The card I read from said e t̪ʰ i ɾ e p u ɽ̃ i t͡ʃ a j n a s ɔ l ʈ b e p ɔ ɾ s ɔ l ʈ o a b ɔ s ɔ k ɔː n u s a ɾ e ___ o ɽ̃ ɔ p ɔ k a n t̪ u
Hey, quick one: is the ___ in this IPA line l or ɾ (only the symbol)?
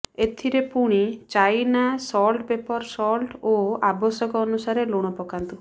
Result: l